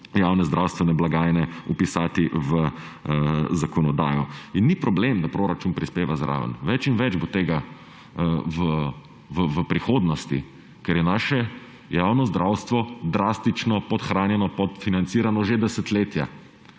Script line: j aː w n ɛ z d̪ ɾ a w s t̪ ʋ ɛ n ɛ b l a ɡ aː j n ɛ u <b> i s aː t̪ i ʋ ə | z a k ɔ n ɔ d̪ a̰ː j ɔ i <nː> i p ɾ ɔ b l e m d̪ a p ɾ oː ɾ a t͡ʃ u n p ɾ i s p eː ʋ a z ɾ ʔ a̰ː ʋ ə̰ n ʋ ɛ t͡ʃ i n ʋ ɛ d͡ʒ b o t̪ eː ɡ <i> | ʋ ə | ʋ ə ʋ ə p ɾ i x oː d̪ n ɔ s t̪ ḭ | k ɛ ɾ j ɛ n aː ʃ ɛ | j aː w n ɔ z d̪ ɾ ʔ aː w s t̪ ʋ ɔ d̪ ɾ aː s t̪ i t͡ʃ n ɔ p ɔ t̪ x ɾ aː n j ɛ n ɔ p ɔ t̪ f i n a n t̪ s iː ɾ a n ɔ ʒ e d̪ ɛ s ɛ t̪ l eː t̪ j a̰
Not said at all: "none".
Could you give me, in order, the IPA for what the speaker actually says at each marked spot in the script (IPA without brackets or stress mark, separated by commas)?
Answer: p, nː, a